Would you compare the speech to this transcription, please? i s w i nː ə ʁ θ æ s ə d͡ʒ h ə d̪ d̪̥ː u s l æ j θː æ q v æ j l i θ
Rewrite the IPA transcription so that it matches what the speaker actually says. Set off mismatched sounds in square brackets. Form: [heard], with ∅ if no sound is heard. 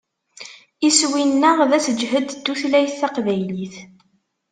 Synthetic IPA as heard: i s w i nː ə ʁ [ð] æ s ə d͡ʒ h ə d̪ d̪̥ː u [θ] l æ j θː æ q v æ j l i θ